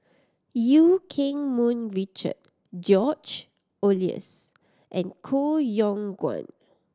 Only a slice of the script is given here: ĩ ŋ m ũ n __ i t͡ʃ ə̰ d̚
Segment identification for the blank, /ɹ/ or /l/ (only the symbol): ɹ